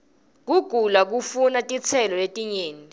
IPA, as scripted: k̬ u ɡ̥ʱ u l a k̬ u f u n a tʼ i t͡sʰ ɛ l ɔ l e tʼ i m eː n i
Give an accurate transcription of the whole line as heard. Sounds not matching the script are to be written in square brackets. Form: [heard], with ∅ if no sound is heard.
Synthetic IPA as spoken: k̬ u ɡ̥ʱ u l a k̬ u f u n a tʼ i t͡sʰ ɛ l ɔ l e tʼ i [ɲ] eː n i